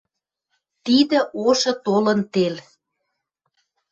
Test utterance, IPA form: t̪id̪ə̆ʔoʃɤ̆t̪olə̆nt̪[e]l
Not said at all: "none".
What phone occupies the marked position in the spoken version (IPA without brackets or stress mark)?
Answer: e